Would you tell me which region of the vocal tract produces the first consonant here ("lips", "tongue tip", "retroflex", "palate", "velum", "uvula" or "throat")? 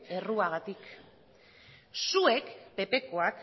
tongue tip